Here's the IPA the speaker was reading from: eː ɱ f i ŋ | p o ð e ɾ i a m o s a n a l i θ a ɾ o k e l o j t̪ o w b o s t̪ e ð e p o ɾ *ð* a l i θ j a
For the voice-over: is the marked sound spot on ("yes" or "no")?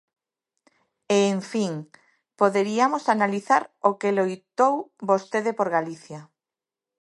no